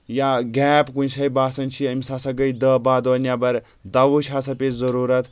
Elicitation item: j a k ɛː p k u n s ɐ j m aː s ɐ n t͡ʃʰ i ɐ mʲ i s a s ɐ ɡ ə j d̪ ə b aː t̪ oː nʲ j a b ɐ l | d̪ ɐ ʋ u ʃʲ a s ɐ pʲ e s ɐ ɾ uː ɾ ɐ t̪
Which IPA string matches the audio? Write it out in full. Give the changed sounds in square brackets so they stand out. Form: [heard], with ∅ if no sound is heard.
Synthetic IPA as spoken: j a [ɡ] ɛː p k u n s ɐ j [b] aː s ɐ n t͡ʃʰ i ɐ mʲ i s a s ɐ ɡ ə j d̪ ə b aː [d̪] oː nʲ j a b ɐ [ɾ] | d̪ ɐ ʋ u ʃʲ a s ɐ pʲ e [z] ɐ ɾ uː ɾ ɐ t̪